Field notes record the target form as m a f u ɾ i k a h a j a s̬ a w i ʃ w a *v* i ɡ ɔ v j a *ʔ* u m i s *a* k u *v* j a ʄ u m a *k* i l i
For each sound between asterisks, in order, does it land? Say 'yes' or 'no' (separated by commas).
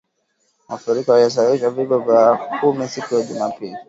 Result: yes, no, no, no, no